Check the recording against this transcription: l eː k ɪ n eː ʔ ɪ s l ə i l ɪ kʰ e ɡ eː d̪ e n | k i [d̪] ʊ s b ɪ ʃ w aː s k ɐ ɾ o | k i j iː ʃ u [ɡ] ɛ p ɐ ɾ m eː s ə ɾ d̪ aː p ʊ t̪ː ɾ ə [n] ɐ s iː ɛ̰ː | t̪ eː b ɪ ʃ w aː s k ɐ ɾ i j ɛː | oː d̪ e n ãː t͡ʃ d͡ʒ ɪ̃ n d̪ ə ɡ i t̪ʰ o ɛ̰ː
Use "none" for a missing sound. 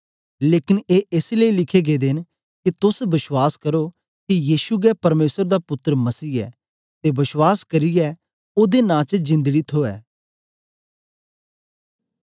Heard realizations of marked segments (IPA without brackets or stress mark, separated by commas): t̪, ɡ, m